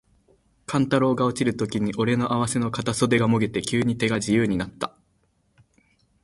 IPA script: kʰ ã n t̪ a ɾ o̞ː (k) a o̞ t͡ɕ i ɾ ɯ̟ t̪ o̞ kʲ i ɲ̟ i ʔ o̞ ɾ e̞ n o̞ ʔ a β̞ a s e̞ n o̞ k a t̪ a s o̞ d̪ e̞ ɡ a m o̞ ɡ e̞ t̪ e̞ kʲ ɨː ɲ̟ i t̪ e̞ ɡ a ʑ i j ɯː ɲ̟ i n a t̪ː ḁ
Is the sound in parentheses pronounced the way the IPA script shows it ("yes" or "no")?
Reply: no